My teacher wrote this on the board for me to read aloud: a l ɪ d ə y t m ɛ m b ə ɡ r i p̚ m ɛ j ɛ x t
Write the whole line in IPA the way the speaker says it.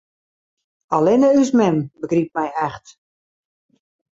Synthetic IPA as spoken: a l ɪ n ə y s m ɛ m b ə ɡ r i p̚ m ɛ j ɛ x t